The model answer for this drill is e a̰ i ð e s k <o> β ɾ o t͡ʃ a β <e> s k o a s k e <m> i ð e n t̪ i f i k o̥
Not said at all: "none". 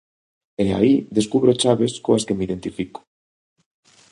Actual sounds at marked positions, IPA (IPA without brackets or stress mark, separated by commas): u, e, m